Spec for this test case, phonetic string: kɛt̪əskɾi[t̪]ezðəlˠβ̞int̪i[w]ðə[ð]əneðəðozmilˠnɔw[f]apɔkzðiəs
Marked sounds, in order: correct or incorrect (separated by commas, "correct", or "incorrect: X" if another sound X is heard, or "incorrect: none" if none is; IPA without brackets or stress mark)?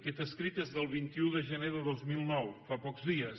correct, incorrect: u, incorrect: ʒ, correct